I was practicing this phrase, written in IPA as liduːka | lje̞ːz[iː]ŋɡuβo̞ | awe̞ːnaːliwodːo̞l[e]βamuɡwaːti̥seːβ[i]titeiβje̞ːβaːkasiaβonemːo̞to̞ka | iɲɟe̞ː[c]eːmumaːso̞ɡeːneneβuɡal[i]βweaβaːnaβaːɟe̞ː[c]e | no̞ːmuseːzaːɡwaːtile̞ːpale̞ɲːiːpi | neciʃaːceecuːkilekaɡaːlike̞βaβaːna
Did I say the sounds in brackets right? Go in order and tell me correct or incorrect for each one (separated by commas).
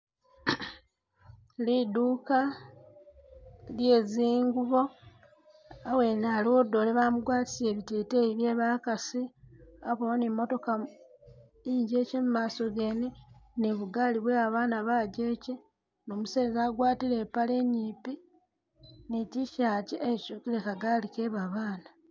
correct, correct, correct, correct, correct, correct